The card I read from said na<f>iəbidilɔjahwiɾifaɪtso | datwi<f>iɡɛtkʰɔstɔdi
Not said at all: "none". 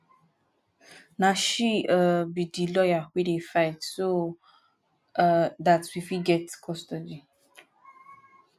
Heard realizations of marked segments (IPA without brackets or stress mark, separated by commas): ʃ, f